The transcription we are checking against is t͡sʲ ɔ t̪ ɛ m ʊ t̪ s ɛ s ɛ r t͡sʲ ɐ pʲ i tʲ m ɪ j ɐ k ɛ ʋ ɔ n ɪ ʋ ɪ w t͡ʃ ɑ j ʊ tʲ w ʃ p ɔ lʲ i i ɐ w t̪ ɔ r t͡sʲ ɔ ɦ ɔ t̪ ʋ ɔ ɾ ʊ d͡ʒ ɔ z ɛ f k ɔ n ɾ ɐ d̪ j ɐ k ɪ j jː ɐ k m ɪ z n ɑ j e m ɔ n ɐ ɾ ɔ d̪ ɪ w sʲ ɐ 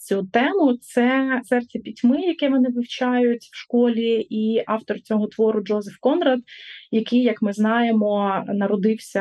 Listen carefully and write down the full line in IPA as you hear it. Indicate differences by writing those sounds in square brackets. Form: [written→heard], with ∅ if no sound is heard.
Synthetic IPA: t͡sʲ [ɔ→u] t̪ ɛ m ʊ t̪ s ɛ s ɛ r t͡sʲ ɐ pʲ i tʲ m ɪ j ɐ k ɛ ʋ ɔ n ɪ ʋ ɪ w t͡ʃ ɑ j ʊ tʲ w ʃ [p→k] ɔ lʲ i i [ɐ→ɑ] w t̪ ɔ r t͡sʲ ɔ ɦ ɔ t̪ ʋ ɔ ɾ ʊ d͡ʒ ɔ z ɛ f k ɔ n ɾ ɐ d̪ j ɐ k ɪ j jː ɐ k m ɪ z n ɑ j e m ɔ n ɐ ɾ ɔ d̪ ɪ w sʲ ɐ